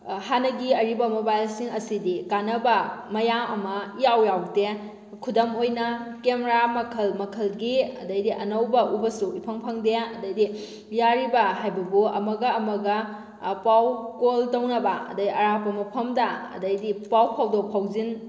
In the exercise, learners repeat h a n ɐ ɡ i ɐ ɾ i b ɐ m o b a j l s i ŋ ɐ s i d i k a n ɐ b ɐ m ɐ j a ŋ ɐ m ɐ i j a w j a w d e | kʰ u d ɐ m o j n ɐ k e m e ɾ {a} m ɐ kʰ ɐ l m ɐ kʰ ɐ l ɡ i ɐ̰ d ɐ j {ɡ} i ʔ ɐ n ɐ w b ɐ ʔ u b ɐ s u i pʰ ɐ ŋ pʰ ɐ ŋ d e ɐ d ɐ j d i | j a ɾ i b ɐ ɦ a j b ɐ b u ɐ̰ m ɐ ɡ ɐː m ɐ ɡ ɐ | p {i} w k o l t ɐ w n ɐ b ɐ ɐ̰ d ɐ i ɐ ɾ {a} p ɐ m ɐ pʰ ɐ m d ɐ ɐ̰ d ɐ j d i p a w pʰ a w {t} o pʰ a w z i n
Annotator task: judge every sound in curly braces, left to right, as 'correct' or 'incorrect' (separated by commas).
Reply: correct, incorrect, incorrect, correct, incorrect